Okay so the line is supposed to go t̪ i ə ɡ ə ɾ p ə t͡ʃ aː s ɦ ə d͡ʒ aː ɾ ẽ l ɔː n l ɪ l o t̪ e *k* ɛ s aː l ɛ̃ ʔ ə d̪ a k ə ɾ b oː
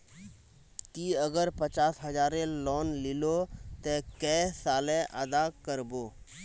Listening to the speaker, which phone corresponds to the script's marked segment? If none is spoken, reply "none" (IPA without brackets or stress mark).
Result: k